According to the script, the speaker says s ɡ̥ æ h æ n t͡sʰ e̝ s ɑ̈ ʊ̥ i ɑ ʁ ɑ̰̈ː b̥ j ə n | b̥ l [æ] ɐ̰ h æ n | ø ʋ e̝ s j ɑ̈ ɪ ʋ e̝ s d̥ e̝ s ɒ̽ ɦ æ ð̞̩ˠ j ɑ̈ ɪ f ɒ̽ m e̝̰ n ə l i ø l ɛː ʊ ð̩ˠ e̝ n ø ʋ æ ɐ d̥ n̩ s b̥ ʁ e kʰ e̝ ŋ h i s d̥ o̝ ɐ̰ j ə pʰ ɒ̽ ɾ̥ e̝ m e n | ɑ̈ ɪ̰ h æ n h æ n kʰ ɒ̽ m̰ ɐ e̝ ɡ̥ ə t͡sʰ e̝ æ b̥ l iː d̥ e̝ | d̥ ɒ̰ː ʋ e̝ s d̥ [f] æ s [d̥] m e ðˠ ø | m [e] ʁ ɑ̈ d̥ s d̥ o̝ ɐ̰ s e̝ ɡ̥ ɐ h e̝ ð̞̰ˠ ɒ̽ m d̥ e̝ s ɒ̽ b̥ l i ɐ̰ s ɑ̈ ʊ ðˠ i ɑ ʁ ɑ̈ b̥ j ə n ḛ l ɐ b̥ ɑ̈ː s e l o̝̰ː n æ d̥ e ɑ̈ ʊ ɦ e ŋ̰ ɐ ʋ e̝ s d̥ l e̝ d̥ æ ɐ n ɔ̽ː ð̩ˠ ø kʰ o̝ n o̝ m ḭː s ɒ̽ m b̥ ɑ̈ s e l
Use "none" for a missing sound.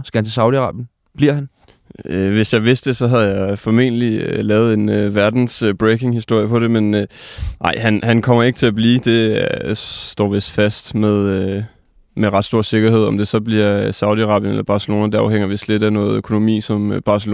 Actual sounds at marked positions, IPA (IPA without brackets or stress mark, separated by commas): i, f, d̥, e